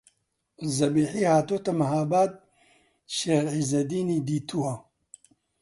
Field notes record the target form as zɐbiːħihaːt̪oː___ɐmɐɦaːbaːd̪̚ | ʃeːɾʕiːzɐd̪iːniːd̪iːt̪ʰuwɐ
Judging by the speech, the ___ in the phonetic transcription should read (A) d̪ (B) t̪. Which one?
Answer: B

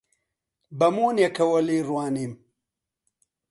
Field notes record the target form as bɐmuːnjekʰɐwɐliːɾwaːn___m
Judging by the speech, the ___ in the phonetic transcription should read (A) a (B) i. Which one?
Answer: B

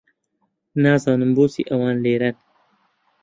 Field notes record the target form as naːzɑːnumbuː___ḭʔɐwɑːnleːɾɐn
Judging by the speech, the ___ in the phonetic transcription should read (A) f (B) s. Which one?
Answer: B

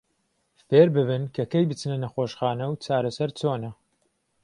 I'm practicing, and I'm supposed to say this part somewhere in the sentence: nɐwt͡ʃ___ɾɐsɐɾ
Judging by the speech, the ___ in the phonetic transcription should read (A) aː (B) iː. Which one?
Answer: A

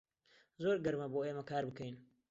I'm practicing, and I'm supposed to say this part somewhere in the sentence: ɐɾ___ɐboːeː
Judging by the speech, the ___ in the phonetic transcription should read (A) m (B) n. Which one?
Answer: A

